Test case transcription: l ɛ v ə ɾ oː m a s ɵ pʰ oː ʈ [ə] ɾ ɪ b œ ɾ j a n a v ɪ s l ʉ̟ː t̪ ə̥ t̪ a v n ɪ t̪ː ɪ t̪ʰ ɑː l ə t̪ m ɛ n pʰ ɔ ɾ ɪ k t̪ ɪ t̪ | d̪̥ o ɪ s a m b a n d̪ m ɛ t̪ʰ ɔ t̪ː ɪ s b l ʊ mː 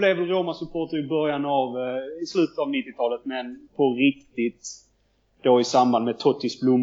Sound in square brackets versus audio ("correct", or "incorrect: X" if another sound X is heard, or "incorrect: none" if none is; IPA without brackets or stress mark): correct